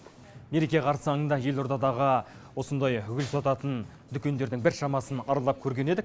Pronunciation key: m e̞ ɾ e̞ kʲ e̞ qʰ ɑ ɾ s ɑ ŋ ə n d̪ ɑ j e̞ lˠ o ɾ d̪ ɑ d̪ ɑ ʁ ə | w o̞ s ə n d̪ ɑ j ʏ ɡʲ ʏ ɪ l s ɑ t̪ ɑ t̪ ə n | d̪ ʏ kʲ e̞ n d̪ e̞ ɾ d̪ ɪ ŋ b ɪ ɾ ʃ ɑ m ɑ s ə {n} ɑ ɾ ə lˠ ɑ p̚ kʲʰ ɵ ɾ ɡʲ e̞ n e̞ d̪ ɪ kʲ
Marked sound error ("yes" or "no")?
no